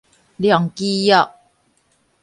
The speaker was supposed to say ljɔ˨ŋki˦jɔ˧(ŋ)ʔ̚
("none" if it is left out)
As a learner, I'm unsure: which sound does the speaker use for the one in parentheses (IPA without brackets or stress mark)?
none